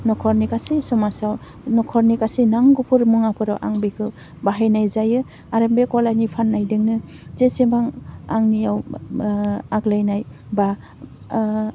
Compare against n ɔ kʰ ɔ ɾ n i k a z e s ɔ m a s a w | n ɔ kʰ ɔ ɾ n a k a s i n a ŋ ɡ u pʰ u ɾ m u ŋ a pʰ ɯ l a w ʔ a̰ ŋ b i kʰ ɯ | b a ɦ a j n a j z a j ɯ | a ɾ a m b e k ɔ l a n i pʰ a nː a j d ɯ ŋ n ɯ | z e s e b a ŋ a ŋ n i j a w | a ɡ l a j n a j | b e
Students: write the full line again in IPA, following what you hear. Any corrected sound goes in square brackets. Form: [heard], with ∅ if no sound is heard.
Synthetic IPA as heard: n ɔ kʰ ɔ ɾ n i k a [s] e s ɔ m a s a w | n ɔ kʰ ɔ ɾ n [i] k a s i n a ŋ ɡ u pʰ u ɾ m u ŋ a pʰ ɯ [ɾ] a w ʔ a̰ ŋ b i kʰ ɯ | b a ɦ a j n a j z a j ɯ | a ɾ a m b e k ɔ l a n i pʰ a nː a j d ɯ ŋ n ɯ | z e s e b a ŋ a ŋ n i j a w | a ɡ l a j n a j | b [a]